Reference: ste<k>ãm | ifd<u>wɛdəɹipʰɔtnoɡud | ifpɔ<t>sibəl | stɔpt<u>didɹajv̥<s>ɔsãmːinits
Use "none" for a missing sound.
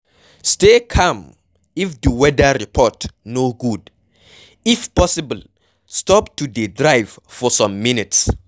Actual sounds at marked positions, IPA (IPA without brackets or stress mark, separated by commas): kʰ, u, none, u, f